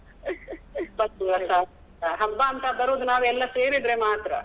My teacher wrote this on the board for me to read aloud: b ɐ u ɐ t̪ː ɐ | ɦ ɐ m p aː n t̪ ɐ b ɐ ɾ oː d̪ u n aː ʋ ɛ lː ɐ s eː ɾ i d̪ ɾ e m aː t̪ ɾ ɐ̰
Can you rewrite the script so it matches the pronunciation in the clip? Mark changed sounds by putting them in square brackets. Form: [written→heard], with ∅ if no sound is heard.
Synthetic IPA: b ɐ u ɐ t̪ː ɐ | ɦ ɐ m [p→b] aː n t̪ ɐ b ɐ ɾ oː d̪ u n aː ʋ ɛ lː ɐ s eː ɾ i d̪ ɾ e m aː t̪ ɾ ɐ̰

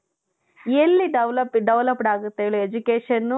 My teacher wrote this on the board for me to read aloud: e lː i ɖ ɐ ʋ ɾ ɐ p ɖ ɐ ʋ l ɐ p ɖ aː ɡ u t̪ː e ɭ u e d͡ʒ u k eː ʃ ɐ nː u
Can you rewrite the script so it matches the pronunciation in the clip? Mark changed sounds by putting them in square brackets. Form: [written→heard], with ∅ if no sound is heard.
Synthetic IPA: e lː i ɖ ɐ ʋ [ɾ→l] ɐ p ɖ ɐ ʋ l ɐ p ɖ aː ɡ u t̪ː e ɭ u e d͡ʒ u k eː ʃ ɐ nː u

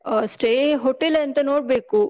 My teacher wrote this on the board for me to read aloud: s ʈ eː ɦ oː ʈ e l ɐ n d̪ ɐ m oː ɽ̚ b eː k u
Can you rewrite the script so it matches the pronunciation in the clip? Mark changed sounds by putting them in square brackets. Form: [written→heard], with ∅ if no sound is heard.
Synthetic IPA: s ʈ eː ɦ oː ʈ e l ɐ n [d̪→t̪] ɐ [m→n] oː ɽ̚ b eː k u

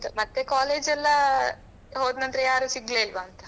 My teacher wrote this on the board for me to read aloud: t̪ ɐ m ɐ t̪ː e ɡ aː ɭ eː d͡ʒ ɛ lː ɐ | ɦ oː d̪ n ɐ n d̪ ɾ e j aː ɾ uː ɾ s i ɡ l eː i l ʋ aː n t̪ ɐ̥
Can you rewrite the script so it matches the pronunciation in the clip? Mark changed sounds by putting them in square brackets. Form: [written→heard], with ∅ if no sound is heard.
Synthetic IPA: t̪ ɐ m ɐ t̪ː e [ɡ→k] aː [ɭ→l] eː d͡ʒ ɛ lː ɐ | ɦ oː d̪ n ɐ n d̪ ɾ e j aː ɾ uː [ɾ→∅] s i ɡ l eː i l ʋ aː n t̪ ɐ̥

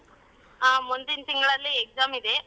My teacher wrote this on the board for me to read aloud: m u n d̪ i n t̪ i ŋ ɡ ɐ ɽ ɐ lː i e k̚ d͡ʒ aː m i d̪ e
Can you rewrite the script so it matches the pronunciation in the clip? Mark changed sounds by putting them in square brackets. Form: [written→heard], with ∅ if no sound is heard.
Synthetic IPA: m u n d̪ i n t̪ i ŋ ɡ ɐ [ɽ→ɭ] ɐ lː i e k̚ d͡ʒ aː m i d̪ e

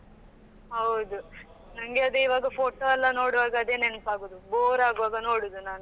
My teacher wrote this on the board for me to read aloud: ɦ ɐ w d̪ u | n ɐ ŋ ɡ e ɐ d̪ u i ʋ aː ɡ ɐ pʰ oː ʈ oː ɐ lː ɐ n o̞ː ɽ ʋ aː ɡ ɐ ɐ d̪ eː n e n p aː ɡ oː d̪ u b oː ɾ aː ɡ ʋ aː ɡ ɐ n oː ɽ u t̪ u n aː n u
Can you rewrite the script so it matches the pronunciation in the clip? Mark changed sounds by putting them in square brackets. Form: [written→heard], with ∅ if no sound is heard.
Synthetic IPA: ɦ ɐ w d̪ u | n ɐ ŋ ɡ e ɐ d̪ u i ʋ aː ɡ ɐ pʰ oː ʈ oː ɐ lː ɐ n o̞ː ɽ ʋ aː ɡ ɐ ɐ d̪ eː n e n p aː ɡ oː d̪ u b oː ɾ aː ɡ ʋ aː ɡ ɐ n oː ɽ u [t̪→d̪] u n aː n u

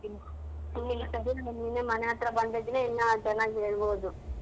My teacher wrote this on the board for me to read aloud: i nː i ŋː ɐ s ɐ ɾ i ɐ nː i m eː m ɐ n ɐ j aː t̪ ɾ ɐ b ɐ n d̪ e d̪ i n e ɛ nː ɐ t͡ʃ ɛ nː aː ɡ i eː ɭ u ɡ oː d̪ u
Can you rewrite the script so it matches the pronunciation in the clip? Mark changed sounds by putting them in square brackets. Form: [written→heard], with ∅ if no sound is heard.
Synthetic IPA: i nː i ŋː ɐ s ɐ ɾ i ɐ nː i [m→n] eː m ɐ n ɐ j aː t̪ ɾ ɐ b ɐ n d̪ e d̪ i n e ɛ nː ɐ t͡ʃ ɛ nː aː ɡ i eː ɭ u [ɡ→b] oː d̪ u

